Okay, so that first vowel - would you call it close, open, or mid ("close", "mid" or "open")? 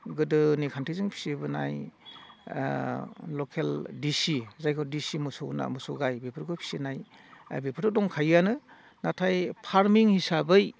close